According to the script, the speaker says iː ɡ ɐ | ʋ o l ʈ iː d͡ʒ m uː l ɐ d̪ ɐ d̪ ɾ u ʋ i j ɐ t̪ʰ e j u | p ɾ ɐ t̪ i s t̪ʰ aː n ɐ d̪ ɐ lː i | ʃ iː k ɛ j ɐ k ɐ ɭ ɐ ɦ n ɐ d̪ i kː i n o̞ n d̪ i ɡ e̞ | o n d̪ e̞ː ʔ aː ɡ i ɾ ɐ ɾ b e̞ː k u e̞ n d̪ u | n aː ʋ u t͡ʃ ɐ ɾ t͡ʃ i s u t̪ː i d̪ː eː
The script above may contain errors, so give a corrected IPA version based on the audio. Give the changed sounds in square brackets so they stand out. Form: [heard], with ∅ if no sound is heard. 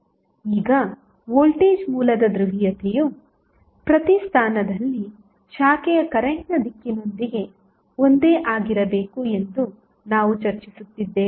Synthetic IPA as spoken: iː ɡ ɐ | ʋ o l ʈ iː d͡ʒ m uː l ɐ d̪ ɐ d̪ ɾ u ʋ i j ɐ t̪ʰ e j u | p ɾ ɐ t̪ i s t̪ʰ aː n ɐ d̪ ɐ lː i | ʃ [aː] k ɛ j ɐ k ɐ [ɾ] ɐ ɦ n ɐ d̪ i kː i n o̞ n d̪ i ɡ e̞ | o n d̪ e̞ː ʔ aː ɡ i ɾ ɐ [∅] b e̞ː k u e̞ n d̪ u | n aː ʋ u t͡ʃ ɐ ɾ t͡ʃ i s u t̪ː i d̪ː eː